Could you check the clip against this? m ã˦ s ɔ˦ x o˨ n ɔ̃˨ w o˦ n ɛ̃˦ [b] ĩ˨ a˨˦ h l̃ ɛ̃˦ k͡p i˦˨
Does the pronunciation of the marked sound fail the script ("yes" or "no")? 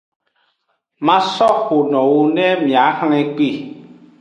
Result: yes